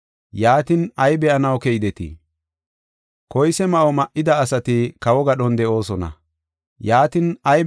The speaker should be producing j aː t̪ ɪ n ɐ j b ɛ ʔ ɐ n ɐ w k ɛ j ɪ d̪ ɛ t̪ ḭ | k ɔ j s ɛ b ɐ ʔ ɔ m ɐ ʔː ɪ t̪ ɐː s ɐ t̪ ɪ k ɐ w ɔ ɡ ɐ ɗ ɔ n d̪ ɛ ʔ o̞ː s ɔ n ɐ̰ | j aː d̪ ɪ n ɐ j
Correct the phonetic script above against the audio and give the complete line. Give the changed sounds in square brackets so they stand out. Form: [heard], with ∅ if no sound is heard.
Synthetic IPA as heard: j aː t̪ ɪ n ɐ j b ɛ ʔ ɐ n ɐ w k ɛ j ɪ d̪ ɛ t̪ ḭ | k ɔ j s ɛ [m] ɐ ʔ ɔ m ɐ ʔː ɪ [d̪] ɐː s ɐ t̪ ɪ k ɐ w ɔ ɡ ɐ ɗ ɔ n d̪ ɛ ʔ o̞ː s ɔ n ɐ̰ | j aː [t̪] ɪ n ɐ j

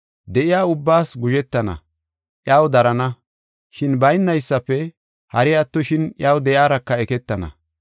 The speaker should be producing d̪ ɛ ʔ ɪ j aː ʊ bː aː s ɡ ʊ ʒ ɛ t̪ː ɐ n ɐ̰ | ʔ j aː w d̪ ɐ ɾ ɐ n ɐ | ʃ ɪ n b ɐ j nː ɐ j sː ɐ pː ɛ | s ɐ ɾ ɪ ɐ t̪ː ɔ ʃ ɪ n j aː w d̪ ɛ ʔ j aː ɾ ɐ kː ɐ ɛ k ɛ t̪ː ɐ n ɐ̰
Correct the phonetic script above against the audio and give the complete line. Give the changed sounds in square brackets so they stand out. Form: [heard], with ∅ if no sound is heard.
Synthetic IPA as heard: d̪ ɛ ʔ ɪ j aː ʊ bː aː s ɡ ʊ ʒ ɛ t̪ː ɐ n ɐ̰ | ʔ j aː w d̪ ɐ ɾ ɐ n ɐ | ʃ ɪ n b ɐ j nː ɐ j sː ɐ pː ɛ | [h] ɐ ɾ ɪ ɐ t̪ː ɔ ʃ ɪ n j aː w d̪ ɛ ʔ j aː ɾ ɐ kː ɐ ɛ k ɛ t̪ː ɐ n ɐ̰

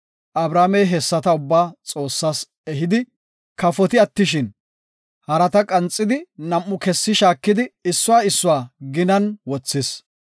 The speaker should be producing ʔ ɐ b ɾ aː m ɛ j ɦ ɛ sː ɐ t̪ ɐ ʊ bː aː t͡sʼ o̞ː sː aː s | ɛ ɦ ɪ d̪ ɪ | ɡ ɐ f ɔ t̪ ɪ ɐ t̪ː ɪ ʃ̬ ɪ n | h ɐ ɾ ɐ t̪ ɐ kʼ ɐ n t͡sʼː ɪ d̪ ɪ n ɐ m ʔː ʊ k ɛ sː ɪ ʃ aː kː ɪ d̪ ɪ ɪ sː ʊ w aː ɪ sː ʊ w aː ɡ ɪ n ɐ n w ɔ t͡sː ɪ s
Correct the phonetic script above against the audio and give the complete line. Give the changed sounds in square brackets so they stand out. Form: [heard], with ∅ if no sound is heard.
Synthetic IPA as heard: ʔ ɐ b ɾ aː m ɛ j ɦ ɛ sː ɐ t̪ ɐ ʊ bː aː t͡sʼ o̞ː sː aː s | ɛ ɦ ɪ d̪ ɪ | [k] ɐ f ɔ t̪ ɪ ɐ t̪ː ɪ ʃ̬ ɪ n | h ɐ ɾ ɐ t̪ ɐ kʼ ɐ n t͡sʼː ɪ d̪ ɪ n ɐ m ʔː ʊ k ɛ sː ɪ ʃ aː kː ɪ d̪ ɪ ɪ sː ʊ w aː ɪ sː ʊ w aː ɡ ɪ n ɐ n w ɔ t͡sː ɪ s

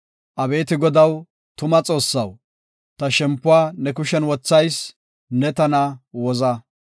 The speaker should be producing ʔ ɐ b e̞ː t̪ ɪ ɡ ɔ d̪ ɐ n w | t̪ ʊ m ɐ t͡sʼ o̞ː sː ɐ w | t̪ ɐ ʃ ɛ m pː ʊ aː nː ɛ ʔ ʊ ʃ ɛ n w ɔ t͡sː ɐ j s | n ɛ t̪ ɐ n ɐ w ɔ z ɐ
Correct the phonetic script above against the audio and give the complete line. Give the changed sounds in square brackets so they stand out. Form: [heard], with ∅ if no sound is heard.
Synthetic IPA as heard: ʔ ɐ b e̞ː t̪ ɪ ɡ ɔ d̪ ɐ [∅] w | t̪ ʊ m ɐ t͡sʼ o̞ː sː ɐ w | t̪ ɐ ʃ ɛ m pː ʊ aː [n] ɛ [k] ʊ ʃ ɛ n w ɔ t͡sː ɐ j s | n ɛ t̪ ɐ n ɐ w ɔ z ɐ

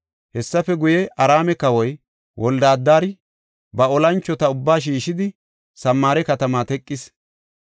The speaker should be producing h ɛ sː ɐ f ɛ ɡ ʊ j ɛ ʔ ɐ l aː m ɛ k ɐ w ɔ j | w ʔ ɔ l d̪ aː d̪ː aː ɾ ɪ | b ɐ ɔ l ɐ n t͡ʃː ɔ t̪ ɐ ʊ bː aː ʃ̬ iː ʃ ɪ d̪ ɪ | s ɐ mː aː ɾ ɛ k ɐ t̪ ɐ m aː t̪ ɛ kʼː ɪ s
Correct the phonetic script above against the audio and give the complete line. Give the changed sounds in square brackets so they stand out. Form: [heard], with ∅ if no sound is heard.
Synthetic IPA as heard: h ɛ sː ɐ f ɛ ɡ ʊ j ɛ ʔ ɐ [ɾ] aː m ɛ k ɐ w ɔ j | w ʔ ɔ l d̪ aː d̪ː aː ɾ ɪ | b ɐ ɔ l ɐ n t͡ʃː ɔ t̪ ɐ ʊ bː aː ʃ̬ iː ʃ ɪ d̪ ɪ | s ɐ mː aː ɾ ɛ k ɐ t̪ ɐ m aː t̪ ɛ kʼː ɪ s

